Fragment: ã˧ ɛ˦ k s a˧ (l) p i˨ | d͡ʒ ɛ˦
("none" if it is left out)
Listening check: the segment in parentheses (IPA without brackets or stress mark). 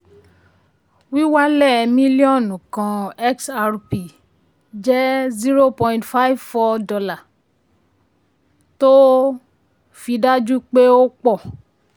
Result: ɾ